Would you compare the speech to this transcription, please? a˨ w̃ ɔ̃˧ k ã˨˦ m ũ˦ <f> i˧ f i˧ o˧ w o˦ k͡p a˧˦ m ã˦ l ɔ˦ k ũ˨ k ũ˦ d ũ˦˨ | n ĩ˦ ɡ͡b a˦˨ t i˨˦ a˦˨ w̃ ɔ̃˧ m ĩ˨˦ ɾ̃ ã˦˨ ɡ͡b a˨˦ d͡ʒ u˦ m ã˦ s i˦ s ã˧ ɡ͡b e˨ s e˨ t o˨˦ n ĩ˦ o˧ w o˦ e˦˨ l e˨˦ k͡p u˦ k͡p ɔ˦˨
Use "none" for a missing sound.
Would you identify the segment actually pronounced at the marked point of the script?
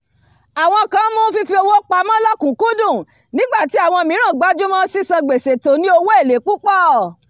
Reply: f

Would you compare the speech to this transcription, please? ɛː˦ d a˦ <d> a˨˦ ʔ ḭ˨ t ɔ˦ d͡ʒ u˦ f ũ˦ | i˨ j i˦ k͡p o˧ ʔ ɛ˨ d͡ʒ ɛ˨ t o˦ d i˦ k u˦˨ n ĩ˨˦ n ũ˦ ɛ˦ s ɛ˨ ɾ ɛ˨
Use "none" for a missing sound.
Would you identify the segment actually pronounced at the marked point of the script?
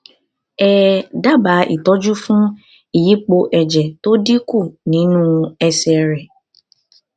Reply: b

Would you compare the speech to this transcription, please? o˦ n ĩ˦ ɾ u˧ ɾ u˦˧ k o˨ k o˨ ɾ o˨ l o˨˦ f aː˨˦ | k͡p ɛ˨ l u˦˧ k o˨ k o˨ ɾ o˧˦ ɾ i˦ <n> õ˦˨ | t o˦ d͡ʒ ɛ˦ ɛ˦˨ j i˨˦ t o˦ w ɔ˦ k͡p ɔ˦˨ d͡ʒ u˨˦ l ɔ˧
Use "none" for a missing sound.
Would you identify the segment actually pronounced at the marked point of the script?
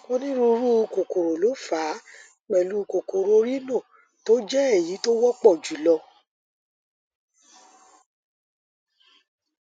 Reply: n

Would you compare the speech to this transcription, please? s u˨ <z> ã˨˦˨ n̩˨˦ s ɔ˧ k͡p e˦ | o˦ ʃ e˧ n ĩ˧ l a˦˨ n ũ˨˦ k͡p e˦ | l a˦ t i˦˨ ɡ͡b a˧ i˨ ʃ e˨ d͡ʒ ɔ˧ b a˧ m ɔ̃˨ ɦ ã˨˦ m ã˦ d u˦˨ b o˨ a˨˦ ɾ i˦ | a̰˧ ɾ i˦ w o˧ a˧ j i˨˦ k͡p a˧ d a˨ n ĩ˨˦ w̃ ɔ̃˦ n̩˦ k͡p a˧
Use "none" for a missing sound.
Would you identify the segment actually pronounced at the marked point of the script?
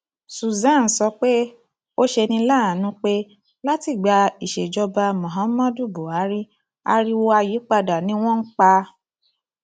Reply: z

